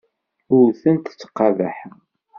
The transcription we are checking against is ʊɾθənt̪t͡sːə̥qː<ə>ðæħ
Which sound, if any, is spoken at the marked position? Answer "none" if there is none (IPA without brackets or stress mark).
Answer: ɑ